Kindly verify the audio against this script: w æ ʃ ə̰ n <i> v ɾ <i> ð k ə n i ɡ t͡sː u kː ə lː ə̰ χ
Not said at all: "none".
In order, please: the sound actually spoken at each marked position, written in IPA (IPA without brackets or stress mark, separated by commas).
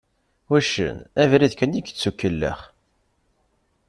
æ, i